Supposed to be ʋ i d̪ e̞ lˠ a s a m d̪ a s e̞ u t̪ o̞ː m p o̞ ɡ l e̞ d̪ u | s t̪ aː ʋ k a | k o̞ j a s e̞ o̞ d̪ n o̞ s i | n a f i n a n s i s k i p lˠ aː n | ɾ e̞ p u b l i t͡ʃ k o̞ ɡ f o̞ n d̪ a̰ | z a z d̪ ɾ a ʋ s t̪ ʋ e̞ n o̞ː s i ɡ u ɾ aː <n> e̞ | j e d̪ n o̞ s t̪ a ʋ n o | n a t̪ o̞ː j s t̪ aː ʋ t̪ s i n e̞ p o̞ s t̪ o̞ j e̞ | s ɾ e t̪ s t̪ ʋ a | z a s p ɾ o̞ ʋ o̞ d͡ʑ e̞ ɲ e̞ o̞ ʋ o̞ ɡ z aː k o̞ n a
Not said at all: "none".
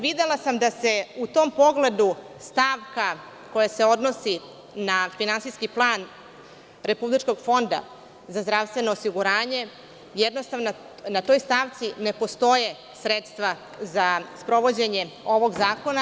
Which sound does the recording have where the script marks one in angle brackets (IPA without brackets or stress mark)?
ɲ